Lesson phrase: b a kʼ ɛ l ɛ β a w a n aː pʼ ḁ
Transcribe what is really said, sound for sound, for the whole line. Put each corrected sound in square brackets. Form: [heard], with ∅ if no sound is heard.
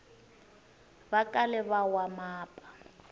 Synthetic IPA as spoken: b a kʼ [a] l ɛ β a w a [m] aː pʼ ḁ